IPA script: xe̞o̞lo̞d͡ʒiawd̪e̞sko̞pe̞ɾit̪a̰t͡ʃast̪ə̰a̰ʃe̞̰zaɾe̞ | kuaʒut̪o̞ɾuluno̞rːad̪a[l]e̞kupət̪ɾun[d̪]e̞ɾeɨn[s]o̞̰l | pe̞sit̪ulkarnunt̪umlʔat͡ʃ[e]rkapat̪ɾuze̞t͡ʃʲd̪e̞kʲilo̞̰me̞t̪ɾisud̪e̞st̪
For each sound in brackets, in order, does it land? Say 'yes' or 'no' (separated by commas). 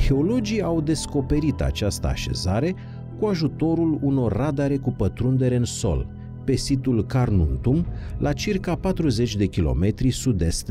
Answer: no, yes, yes, no